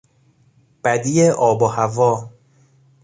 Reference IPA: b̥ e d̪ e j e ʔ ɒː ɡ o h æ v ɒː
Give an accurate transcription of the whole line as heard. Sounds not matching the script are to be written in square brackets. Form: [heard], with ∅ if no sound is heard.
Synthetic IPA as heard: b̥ [æ] d̪ [i] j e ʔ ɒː [b] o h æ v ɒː